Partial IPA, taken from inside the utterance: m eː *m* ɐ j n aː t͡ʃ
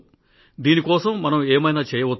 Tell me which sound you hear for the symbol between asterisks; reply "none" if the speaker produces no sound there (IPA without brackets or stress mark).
m